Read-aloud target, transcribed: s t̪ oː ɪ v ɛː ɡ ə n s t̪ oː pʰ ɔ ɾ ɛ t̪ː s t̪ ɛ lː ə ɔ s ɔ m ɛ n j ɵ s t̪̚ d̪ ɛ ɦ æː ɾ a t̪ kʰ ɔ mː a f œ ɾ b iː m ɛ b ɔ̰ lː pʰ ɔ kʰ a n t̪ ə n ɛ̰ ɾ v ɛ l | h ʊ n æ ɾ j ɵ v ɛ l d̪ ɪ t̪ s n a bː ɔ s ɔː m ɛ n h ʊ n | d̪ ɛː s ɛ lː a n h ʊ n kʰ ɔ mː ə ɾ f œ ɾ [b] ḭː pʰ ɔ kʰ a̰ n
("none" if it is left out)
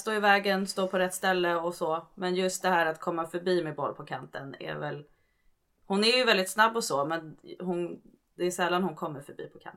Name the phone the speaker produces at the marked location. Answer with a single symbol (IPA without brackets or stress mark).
b